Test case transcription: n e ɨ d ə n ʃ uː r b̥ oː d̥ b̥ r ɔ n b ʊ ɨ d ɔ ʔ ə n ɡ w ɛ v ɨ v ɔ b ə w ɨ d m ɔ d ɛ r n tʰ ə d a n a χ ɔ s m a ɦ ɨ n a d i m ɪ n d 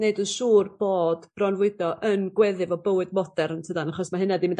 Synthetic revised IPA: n e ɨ d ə n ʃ uː r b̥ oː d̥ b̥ r ɔ n v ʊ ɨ d ɔ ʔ ə n ɡ w ɛ ð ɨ v ɔ b ə w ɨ d m ɔ d ɛ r n tʰ ə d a n a χ ɔ s m a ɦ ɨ n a d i m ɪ n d